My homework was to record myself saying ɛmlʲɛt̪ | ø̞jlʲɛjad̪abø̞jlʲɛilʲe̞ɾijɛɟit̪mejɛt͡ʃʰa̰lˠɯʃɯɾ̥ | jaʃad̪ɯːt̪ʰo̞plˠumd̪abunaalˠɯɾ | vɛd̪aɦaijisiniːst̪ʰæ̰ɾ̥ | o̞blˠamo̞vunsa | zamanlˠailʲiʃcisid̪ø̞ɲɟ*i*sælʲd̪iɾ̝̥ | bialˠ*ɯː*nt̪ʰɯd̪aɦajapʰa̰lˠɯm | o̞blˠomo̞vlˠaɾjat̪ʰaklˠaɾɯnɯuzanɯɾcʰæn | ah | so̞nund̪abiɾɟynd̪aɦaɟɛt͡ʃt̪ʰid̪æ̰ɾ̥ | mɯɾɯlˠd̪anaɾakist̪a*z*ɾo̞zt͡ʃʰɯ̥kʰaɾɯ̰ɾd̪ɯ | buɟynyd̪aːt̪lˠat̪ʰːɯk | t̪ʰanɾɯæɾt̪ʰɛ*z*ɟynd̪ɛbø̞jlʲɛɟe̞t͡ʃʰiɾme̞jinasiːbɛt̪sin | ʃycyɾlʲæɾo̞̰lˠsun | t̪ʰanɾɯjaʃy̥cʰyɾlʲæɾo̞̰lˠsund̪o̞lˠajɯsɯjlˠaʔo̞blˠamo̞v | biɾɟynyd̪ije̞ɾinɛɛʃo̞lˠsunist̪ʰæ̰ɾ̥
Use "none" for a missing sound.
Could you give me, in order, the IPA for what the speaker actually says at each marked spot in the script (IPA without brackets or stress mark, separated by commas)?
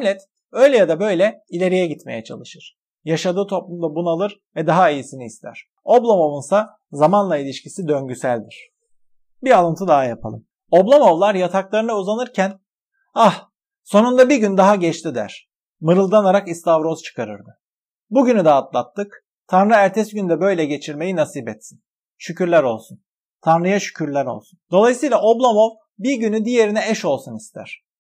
y, ɯ, v, s